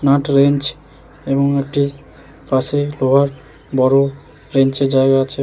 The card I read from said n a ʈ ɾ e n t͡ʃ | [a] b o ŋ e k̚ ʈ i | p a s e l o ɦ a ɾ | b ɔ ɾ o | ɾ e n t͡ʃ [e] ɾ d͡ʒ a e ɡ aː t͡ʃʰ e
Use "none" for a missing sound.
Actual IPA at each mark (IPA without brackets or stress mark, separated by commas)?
e, e